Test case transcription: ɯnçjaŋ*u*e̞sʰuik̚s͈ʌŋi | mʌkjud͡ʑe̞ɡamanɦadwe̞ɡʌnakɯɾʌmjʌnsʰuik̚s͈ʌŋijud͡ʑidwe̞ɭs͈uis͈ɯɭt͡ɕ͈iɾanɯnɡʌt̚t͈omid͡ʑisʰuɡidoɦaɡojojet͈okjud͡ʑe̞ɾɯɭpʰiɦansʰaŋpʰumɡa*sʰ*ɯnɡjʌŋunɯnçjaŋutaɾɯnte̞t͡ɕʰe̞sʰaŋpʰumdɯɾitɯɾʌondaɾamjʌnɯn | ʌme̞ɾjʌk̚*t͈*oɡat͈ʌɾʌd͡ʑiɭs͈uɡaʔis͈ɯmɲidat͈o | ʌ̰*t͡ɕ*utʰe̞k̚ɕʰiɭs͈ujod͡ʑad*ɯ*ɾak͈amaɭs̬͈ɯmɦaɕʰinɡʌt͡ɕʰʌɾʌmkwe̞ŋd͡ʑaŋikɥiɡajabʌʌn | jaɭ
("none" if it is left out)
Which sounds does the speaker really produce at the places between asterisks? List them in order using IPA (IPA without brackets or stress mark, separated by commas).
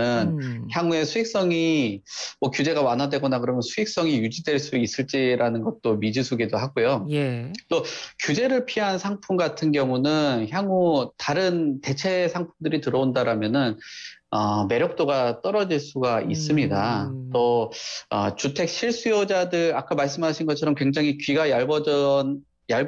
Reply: u, tʰ, t͈, t͡ɕ, ɯ